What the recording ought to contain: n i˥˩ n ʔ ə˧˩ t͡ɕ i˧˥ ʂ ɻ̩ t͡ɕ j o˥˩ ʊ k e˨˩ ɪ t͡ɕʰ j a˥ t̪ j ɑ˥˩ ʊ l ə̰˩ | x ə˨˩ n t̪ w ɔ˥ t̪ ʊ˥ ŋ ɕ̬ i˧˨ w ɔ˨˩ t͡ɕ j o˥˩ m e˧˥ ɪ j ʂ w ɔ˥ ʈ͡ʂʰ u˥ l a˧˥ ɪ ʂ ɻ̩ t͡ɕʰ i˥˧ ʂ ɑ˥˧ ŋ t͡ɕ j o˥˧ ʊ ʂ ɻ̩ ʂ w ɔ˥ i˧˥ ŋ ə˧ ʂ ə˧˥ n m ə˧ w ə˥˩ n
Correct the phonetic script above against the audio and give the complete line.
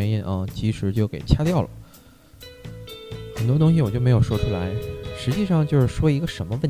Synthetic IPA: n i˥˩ n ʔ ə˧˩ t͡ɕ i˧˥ ʂ ɻ̩ t͡ɕ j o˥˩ ʊ k e˨˩ ɪ t͡ɕʰ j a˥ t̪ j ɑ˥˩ ʊ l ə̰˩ | x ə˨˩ n t̪ w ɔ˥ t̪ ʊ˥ ŋ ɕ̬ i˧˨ w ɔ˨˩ t͡ɕ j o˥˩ m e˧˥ ɪ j ʂ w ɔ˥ ʈ͡ʂʰ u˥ l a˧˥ ɪ ʂ ɻ̩ t͡ɕ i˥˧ ʂ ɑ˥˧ ŋ t͡ɕ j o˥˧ ʊ ʂ ɻ̩ ʂ w ɔ˥ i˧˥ ɡ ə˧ ʂ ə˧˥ n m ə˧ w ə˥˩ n